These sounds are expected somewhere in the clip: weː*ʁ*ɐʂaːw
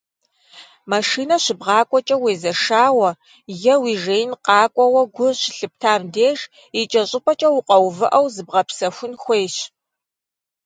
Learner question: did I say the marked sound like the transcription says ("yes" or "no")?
no